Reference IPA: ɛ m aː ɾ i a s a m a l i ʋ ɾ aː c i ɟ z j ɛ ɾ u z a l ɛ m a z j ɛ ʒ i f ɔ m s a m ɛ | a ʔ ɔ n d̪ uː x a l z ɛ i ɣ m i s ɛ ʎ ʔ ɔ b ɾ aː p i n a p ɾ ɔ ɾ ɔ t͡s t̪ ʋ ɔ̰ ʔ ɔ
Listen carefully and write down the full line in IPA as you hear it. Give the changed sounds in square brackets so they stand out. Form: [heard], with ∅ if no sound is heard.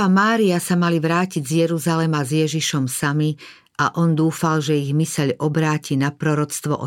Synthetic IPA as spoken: [a] m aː ɾ i a s a m a l i ʋ ɾ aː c i ɟ z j ɛ ɾ u z a l ɛ m a z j ɛ ʒ i [ʃ] ɔ m s a m [i] | a ʔ ɔ n d̪ uː [f] a l [ʒ] ɛ i ɣ m i s ɛ ʎ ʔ ɔ b ɾ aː [c] i n a p ɾ ɔ ɾ ɔ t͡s t̪ ʋ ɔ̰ ʔ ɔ